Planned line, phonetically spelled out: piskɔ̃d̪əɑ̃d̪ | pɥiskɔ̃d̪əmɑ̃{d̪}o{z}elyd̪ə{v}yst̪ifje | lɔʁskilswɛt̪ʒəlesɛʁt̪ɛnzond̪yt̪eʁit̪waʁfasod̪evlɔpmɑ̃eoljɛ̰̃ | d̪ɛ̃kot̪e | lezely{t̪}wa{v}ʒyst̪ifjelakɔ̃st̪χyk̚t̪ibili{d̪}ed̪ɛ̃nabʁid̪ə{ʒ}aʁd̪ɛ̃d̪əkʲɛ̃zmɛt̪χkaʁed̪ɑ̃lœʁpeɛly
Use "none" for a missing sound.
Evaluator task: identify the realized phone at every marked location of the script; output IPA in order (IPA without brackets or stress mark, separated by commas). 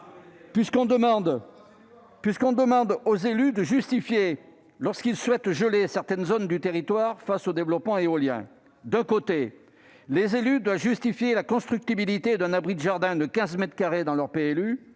d̪, z, ʒ, d̪, v, t̪, ʒ